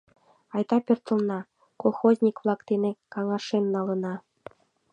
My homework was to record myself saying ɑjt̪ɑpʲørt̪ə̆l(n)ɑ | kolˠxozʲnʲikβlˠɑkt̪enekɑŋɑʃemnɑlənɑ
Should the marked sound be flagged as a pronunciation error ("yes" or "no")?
no